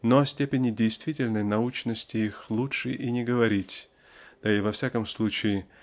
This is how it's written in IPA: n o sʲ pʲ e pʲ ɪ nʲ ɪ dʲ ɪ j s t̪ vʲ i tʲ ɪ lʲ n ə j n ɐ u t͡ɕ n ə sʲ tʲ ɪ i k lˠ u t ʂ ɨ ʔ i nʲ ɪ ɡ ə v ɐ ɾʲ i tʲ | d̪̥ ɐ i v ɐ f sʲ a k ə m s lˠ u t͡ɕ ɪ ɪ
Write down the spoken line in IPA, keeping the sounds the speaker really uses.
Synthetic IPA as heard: n o sʲ tʲ e pʲ ɪ nʲ ɪ dʲ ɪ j s t̪ vʲ i tʲ ɪ lʲ n ə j n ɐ u t͡ɕ n ə sʲ tʲ ɪ i x lˠ u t ʂ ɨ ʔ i nʲ ɪ ɡ ə v ɐ ɾʲ i tʲ | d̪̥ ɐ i v ɐ f sʲ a k ə m s lˠ u t͡ɕ ɪ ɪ